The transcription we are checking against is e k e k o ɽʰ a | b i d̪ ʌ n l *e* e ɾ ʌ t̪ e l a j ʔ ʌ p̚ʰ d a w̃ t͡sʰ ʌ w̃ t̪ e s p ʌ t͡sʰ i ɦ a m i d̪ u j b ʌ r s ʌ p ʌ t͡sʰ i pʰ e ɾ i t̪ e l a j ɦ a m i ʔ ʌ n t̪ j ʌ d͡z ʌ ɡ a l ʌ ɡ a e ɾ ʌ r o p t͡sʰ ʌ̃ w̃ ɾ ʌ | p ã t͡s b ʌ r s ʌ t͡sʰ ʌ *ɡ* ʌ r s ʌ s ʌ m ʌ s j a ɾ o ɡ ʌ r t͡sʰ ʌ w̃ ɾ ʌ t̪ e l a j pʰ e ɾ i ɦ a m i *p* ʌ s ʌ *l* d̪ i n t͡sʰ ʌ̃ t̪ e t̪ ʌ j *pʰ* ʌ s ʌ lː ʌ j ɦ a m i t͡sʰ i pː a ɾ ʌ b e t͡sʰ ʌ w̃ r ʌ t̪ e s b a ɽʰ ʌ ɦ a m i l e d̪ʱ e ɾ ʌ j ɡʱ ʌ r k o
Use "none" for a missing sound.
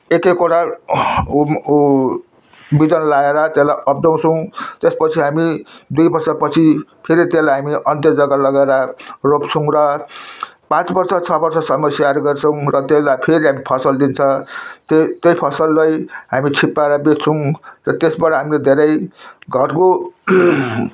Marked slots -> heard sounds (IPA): a, b, pʰ, l, pʰ

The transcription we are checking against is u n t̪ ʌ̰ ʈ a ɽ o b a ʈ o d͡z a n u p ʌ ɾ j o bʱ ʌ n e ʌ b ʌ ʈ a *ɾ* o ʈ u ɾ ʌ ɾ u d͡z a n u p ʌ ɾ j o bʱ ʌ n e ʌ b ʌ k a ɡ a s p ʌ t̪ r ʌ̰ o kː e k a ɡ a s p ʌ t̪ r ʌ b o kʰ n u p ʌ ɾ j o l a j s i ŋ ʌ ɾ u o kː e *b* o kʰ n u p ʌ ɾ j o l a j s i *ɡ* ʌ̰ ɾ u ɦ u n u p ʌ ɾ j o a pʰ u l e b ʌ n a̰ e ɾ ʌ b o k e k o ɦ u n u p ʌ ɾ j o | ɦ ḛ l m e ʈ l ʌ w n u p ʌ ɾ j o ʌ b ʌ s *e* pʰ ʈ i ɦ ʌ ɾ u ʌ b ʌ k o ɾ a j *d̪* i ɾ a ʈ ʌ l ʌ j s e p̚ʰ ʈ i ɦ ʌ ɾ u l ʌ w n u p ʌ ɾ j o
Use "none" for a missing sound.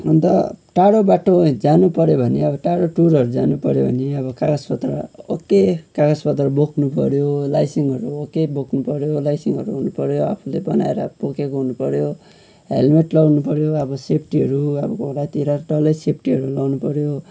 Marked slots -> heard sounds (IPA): ɽ, b, ŋ, e, t̪

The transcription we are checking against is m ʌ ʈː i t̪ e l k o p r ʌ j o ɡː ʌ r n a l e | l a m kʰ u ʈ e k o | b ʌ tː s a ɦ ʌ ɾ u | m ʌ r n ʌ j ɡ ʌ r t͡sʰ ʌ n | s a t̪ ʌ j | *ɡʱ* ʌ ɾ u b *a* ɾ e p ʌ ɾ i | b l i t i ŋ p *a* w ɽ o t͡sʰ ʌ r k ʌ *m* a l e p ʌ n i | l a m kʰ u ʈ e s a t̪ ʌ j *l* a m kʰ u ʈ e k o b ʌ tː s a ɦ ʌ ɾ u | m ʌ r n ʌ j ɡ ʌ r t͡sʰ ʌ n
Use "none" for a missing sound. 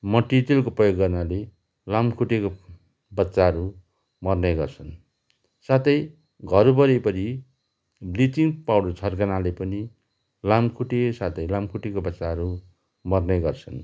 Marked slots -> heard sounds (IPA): ɡʱ, ʌ, a, n, l

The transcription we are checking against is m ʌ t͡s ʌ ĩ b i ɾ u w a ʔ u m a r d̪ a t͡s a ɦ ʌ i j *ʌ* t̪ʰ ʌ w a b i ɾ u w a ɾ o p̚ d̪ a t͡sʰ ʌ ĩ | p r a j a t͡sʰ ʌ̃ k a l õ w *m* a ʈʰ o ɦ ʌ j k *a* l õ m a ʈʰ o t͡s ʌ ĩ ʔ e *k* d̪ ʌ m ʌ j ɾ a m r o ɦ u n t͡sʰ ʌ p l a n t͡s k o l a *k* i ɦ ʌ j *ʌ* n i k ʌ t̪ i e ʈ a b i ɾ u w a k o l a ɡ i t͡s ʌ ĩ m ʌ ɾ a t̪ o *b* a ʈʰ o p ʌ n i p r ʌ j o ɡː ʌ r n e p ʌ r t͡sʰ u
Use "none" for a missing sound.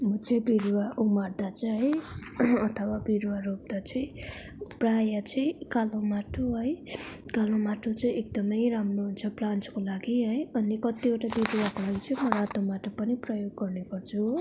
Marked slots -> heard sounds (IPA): ʌ, m, a, k, ɡ, ʌ, m

